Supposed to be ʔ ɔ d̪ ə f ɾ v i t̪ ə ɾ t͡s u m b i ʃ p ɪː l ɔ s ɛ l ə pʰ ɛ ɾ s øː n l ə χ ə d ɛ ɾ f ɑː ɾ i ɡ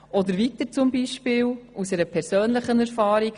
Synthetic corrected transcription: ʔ ɔ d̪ ə ɾ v i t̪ ə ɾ t͡s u m b i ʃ p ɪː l u s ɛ ɾ ə pʰ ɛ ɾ s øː n l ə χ ə n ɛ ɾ f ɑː ɾ i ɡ